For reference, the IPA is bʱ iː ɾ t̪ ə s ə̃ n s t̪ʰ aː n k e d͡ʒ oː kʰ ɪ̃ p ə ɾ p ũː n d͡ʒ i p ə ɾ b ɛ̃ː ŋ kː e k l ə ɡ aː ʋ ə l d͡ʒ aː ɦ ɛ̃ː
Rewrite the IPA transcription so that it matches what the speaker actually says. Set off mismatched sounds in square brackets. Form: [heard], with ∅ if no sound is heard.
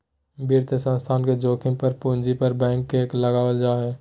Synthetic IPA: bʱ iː ɾ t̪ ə s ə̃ n s t̪ʰ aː n k e d͡ʒ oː kʰ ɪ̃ p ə ɾ p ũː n d͡ʒ i p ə ɾ b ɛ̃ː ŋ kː e k l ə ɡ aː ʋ ə l d͡ʒ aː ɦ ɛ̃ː